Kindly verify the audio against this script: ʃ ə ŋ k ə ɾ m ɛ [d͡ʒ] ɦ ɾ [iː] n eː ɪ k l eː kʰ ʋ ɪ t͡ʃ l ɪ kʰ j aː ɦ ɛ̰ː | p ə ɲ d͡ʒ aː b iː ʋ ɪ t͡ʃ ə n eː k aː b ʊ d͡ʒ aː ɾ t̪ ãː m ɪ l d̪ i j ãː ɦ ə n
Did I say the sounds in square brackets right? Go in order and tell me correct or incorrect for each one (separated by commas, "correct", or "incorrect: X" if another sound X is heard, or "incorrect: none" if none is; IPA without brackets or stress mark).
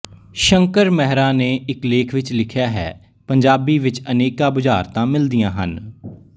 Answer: incorrect: none, incorrect: aː